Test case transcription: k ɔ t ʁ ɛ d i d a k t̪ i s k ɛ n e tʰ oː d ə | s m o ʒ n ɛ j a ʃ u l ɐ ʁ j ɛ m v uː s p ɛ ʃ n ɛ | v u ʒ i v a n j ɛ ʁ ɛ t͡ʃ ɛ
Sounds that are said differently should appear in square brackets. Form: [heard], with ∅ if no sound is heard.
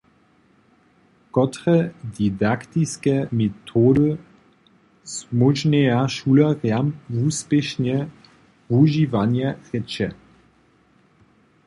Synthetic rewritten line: k ɔ t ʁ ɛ d i d a k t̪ i s k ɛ [m] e tʰ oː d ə | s m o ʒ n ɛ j a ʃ u l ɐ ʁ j [a] m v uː s p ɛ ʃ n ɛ | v u ʒ i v a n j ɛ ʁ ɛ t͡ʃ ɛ